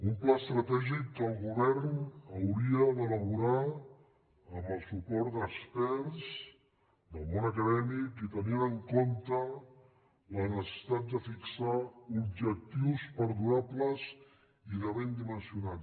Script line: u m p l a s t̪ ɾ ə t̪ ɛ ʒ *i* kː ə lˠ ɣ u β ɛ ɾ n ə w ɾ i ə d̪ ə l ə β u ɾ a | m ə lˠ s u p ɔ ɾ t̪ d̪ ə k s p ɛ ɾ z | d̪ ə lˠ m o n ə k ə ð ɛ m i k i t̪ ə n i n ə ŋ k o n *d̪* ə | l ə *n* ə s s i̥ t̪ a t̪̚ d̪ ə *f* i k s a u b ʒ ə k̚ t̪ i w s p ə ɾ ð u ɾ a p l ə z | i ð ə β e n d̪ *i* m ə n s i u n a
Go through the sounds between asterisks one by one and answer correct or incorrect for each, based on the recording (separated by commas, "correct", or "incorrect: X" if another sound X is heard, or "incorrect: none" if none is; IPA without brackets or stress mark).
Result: correct, incorrect: t̪, correct, correct, correct